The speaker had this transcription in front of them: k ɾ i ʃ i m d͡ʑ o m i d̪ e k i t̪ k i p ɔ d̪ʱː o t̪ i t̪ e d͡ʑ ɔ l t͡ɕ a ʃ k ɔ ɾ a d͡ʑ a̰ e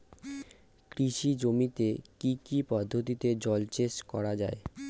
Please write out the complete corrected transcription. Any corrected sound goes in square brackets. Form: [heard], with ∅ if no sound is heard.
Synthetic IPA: k ɾ i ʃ i [∅] d͡ʑ o m i [t̪] e k i [∅] k i p ɔ d̪ʱː o t̪ i t̪ e d͡ʑ ɔ l t͡ɕ [e] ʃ k ɔ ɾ a d͡ʑ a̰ e